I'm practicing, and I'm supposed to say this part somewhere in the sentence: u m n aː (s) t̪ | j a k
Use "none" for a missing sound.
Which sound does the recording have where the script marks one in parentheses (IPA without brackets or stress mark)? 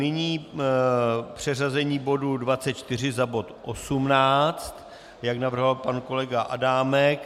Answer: t͡s